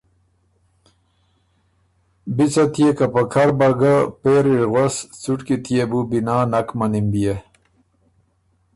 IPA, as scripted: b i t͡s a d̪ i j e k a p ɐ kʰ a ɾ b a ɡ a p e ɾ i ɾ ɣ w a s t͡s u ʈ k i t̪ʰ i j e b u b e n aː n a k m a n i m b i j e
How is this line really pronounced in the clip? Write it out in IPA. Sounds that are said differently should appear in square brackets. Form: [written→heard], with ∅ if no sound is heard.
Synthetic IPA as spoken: b i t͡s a [d̪→t̪] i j e k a p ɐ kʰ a ɾ b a ɡ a p e ɾ i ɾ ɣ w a s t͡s u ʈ k i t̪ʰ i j e b u b [e→i] n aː n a k m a n i m b i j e